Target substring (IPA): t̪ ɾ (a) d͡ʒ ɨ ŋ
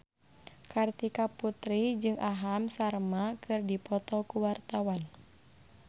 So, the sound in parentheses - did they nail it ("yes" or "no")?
no